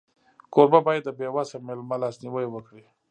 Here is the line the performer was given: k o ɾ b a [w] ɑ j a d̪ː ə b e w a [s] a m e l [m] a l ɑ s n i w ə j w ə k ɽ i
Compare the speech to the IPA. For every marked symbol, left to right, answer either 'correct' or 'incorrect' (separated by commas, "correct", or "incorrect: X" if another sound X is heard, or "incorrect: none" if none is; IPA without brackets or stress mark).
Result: incorrect: b, correct, correct